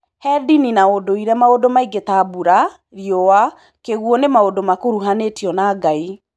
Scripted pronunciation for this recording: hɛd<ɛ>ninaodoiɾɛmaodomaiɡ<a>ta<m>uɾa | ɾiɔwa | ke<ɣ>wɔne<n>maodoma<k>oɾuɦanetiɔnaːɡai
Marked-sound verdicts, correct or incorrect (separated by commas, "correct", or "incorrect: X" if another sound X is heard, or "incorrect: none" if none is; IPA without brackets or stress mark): incorrect: i, incorrect: e, incorrect: b, correct, incorrect: none, correct